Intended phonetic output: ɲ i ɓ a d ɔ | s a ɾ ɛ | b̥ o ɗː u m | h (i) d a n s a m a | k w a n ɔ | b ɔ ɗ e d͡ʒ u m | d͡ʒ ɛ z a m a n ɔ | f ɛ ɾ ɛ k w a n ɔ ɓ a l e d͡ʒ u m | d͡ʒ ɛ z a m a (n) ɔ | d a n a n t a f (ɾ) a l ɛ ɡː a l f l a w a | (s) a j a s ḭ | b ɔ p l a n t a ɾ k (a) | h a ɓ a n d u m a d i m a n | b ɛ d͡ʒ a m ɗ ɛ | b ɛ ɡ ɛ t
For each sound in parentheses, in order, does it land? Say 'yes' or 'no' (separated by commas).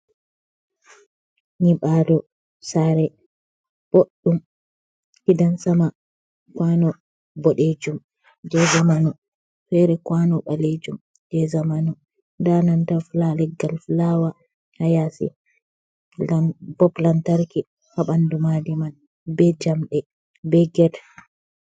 yes, yes, no, no, no